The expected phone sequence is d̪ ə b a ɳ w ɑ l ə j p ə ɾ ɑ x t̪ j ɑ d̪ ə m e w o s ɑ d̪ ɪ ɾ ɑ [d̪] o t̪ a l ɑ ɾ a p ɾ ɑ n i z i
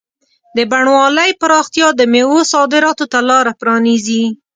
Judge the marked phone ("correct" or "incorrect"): incorrect